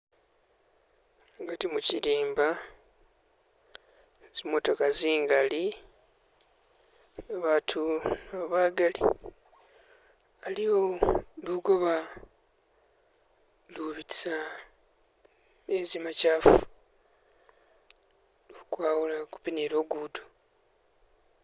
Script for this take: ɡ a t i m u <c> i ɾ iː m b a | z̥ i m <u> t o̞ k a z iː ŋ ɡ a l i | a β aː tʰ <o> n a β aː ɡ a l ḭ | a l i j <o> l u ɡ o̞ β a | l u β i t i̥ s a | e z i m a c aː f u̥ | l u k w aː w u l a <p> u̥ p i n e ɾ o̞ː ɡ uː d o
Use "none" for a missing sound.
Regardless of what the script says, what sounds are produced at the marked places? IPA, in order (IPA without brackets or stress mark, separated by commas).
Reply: c, o, u, o, k